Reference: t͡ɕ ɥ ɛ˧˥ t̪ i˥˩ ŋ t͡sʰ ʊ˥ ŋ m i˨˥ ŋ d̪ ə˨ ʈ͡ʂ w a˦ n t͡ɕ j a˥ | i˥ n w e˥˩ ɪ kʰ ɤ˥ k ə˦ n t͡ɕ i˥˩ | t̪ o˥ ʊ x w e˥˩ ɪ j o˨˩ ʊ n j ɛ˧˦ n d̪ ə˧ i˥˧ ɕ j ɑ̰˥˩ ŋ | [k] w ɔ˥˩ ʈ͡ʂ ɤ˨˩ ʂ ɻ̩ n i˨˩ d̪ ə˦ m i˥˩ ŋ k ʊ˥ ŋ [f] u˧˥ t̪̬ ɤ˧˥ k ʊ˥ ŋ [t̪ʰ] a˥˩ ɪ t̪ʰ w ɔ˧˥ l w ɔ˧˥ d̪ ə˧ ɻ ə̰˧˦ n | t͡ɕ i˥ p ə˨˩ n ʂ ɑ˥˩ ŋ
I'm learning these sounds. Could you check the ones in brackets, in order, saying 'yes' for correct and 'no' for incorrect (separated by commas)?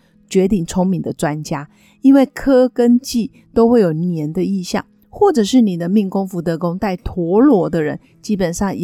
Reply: no, yes, no